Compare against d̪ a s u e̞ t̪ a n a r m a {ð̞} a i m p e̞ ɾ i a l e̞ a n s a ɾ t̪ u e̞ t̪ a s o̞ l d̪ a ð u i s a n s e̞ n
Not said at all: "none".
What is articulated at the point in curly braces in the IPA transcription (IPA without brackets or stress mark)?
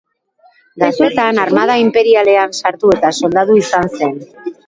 ð̞